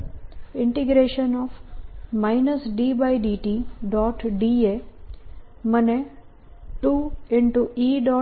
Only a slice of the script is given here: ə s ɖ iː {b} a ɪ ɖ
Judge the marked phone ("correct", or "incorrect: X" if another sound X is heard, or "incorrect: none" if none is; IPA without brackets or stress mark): correct